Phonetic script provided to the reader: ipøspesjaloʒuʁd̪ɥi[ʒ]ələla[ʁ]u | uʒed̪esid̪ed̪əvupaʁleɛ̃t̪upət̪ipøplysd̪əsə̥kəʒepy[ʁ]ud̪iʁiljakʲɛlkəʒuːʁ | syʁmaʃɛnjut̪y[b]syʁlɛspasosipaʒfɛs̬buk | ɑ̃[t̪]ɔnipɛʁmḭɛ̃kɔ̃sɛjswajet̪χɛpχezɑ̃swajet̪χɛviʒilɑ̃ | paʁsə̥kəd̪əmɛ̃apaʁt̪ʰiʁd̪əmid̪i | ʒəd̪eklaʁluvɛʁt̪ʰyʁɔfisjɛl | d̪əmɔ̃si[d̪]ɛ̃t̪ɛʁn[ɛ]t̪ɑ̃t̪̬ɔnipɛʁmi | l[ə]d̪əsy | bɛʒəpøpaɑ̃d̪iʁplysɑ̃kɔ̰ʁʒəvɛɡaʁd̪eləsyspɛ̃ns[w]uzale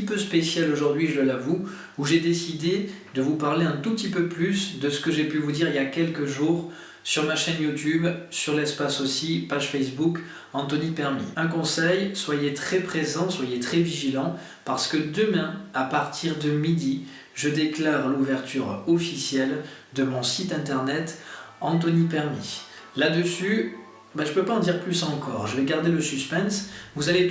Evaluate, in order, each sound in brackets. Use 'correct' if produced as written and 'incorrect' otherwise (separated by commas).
correct, incorrect, incorrect, correct, correct, incorrect, correct, incorrect, incorrect